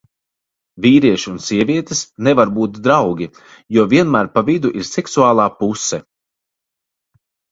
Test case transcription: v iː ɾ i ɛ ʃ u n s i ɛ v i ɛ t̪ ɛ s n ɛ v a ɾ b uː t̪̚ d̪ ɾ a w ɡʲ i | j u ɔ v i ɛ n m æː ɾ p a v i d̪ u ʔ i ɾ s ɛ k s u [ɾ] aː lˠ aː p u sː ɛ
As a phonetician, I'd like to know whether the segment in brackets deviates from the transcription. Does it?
yes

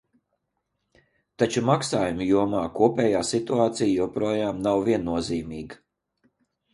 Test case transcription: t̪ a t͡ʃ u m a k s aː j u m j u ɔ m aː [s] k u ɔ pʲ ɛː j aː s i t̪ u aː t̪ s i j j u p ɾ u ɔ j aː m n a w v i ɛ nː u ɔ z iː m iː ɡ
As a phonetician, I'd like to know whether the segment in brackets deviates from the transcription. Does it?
yes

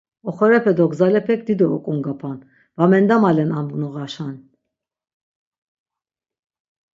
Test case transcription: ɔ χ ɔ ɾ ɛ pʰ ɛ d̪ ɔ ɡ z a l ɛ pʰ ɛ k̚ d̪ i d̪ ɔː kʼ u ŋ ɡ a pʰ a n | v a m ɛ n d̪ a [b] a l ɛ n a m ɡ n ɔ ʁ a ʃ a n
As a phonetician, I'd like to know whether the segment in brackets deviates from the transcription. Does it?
yes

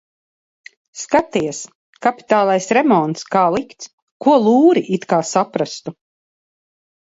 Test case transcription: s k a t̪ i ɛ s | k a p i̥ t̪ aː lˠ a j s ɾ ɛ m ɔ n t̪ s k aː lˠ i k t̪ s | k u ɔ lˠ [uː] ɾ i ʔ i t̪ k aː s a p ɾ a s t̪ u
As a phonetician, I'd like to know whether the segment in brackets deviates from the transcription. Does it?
no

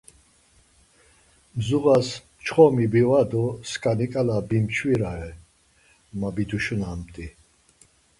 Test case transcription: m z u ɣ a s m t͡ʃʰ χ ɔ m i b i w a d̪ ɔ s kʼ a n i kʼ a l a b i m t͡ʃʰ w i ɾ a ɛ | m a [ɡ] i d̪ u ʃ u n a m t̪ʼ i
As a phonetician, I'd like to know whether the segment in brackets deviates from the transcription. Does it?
yes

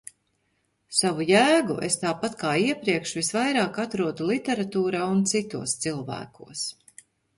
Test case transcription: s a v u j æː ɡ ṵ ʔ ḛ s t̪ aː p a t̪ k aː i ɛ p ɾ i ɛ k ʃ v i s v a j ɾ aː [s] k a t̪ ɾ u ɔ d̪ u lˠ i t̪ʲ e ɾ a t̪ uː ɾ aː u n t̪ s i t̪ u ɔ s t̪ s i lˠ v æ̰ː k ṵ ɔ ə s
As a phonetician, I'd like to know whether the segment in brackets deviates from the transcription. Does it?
yes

